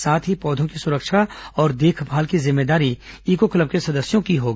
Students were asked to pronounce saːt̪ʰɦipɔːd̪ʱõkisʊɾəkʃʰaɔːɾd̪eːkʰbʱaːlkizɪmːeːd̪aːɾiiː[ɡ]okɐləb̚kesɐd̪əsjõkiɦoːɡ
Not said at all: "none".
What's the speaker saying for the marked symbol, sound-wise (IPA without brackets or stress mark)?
k